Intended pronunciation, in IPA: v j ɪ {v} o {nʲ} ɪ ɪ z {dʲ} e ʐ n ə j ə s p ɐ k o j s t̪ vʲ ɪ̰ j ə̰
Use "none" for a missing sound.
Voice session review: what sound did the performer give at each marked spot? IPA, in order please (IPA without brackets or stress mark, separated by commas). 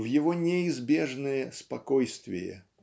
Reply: v, nʲ, bʲ